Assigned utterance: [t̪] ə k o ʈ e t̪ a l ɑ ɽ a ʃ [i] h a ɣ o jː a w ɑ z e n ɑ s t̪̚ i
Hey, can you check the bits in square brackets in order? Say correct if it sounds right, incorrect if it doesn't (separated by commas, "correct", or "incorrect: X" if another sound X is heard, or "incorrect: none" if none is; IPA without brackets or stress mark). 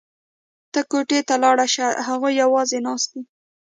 correct, incorrect: a